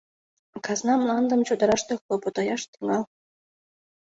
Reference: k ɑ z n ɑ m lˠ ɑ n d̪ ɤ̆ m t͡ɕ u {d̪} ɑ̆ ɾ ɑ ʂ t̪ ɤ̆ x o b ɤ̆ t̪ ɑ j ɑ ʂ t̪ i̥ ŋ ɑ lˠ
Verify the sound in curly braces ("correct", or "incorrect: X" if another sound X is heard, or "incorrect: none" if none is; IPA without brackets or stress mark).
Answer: correct